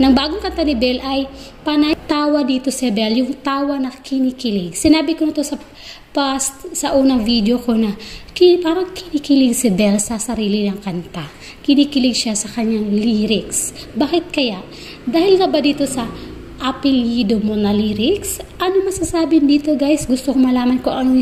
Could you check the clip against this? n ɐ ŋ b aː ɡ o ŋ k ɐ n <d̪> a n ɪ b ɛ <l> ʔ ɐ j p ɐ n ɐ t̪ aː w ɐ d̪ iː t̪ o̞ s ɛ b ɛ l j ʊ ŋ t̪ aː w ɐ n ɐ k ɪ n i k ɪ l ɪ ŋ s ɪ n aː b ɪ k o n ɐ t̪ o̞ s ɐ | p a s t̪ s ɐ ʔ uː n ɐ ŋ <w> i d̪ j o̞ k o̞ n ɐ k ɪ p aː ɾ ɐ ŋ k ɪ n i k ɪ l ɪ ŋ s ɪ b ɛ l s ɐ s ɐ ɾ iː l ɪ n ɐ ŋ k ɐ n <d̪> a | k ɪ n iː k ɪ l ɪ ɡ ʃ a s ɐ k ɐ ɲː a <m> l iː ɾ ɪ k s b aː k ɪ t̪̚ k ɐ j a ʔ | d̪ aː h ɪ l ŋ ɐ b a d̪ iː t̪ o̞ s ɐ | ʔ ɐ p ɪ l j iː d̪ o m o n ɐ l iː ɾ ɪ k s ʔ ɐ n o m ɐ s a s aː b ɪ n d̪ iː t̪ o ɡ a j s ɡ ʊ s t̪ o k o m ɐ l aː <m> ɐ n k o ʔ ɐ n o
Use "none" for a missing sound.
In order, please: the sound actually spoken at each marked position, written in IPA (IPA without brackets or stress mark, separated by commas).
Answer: t̪, l, v, t̪, ŋ, m